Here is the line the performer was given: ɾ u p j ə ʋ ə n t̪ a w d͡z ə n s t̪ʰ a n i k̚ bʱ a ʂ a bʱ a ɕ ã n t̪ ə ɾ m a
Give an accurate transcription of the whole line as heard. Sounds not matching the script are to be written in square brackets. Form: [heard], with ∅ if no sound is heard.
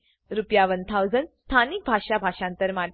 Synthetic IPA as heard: ɾ u p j [a] ʋ ə n [t̪ʰ] a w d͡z ə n s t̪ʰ a n i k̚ bʱ a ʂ a bʱ a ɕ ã n t̪ ə ɾ m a